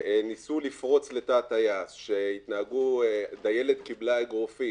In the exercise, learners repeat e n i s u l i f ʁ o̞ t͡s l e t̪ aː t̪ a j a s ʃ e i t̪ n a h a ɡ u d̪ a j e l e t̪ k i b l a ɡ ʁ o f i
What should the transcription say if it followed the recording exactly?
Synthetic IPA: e n i s u l i f ʁ o̞ t͡s l e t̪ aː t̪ a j a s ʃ e i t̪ n a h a ɡ u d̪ a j e l e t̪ k i b l a ɡ ʁ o f i